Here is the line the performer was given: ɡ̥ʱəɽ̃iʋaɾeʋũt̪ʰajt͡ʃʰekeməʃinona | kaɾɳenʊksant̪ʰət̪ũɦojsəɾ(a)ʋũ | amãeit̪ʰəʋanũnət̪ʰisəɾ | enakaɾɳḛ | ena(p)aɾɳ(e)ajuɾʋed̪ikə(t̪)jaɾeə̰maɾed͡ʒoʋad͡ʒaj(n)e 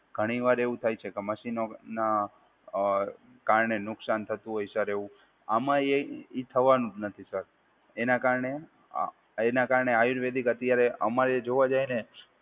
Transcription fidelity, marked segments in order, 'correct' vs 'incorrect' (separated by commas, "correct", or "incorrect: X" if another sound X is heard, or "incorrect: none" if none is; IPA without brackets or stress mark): incorrect: e, incorrect: k, correct, correct, correct